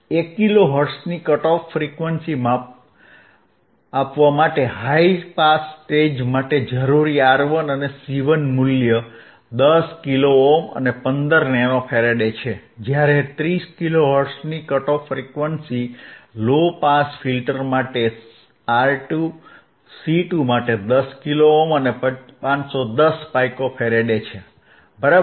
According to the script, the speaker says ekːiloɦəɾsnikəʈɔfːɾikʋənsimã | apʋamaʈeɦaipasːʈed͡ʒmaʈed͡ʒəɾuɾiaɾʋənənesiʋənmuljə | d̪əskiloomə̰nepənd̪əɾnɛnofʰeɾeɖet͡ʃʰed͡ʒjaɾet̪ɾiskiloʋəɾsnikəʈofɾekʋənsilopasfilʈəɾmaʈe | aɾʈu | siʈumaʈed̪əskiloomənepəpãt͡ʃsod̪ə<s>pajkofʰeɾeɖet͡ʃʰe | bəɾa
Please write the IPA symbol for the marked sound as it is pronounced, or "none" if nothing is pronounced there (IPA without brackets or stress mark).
s